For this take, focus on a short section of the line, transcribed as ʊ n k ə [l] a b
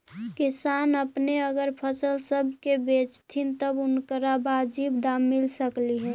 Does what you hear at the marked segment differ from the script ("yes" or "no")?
yes